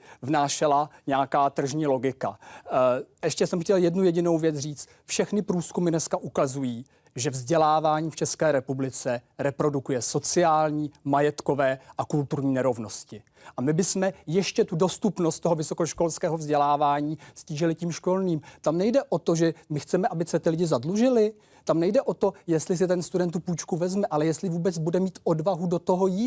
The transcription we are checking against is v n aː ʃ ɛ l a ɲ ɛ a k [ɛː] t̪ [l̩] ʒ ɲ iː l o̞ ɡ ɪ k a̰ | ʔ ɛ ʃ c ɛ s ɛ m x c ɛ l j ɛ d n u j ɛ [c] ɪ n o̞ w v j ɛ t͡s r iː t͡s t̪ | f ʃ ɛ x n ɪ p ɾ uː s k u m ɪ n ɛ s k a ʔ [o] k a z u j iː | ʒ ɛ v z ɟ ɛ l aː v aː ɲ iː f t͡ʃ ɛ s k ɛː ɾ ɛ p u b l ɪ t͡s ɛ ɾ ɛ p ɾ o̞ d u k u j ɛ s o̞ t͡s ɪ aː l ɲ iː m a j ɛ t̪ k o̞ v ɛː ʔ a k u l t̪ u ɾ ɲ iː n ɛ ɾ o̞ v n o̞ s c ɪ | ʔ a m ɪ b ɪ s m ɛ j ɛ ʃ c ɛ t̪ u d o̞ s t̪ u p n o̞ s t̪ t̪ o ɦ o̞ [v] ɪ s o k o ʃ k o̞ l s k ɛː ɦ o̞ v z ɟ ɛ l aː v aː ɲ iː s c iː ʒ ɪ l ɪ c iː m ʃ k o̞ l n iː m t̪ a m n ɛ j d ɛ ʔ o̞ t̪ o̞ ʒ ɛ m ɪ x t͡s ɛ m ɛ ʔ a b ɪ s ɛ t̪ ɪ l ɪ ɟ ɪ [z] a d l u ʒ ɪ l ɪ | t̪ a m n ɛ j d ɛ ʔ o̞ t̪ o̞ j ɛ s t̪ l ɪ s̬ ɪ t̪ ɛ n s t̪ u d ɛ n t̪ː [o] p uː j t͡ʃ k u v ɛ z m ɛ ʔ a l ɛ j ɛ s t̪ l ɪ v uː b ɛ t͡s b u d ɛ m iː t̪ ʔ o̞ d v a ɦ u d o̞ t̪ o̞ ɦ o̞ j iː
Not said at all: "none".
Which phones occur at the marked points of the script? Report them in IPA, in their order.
aː, r̩, ɟ, u, v, z, u

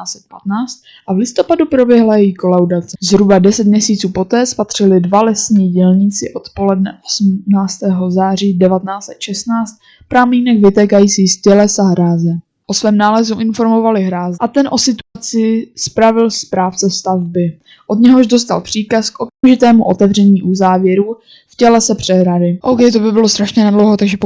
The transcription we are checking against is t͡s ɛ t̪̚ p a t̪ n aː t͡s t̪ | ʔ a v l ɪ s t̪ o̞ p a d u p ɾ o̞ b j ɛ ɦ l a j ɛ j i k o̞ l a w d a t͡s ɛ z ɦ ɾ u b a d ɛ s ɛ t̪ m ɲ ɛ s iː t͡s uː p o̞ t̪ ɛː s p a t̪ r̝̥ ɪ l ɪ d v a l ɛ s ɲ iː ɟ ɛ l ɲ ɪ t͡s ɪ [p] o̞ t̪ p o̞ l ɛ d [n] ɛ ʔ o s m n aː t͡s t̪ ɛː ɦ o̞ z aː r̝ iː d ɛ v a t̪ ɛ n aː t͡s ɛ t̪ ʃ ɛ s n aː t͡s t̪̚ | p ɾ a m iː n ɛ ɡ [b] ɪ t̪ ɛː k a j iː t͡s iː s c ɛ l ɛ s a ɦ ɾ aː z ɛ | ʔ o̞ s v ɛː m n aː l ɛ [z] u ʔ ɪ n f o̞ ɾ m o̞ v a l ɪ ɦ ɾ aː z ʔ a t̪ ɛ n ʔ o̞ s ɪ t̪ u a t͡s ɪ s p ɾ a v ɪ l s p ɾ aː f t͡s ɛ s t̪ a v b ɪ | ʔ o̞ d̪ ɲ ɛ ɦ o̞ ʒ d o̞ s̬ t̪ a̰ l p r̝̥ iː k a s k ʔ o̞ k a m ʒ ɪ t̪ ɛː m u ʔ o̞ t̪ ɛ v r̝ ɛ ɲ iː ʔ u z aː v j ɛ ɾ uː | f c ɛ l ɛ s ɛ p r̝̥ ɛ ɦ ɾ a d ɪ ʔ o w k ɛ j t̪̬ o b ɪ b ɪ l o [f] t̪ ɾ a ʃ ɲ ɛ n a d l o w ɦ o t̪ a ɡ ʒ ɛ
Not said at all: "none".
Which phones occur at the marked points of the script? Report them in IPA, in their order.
ʔ, n, v, z, s

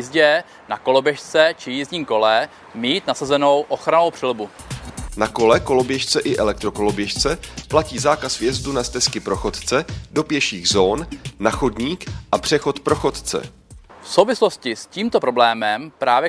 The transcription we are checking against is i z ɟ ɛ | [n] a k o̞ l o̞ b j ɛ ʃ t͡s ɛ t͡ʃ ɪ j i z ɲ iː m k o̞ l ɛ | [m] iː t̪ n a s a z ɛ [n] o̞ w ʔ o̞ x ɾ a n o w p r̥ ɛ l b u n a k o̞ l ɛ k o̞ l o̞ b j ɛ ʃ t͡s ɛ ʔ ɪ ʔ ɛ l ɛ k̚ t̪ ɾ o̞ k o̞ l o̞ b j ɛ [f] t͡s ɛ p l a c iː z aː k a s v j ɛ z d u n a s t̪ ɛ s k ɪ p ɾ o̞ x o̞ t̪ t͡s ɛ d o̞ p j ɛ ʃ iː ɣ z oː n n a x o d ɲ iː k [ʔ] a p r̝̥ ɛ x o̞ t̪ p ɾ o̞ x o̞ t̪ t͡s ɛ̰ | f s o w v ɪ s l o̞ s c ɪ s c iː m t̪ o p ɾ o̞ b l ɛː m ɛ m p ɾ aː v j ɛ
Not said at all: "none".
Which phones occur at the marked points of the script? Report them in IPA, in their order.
n, m, n, ʃ, ʔ

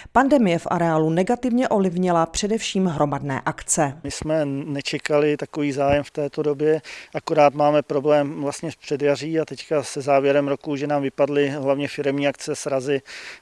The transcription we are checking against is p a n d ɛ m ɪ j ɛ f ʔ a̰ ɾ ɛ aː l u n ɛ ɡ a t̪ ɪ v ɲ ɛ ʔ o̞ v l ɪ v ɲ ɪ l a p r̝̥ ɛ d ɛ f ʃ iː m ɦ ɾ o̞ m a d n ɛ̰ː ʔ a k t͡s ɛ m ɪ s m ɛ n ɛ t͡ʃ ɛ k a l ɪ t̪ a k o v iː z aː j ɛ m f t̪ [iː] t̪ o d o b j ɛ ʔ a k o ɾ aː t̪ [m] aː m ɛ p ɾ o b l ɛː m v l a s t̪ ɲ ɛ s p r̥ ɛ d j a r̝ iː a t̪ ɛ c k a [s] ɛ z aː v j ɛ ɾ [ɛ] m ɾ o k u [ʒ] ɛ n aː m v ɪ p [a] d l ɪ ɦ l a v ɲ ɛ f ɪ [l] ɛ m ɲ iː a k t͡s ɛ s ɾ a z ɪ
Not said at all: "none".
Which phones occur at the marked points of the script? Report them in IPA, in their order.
ɛː, m, s, ɛ, ʒ, a, ɾ

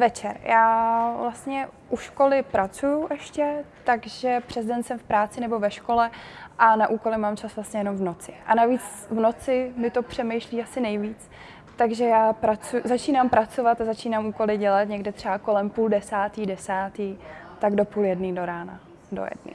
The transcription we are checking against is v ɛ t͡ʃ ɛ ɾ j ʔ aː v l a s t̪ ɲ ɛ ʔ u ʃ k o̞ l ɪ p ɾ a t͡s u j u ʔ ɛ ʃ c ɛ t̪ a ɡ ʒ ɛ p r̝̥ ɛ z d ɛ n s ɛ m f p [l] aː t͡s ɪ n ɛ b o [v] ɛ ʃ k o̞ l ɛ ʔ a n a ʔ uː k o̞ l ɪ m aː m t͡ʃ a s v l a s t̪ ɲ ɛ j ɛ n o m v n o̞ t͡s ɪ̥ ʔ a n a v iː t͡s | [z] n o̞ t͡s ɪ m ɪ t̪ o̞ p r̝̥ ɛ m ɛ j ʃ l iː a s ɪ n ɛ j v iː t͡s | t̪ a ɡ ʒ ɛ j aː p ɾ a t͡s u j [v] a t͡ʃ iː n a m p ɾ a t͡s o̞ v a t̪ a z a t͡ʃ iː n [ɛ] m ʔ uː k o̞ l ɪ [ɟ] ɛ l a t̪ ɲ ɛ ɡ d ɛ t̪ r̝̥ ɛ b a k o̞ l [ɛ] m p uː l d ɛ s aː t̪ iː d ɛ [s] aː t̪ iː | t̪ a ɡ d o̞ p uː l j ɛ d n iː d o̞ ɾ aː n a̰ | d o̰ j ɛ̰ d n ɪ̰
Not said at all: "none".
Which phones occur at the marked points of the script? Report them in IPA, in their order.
ɾ, v, v, z, a, ɟ, ɛ, s

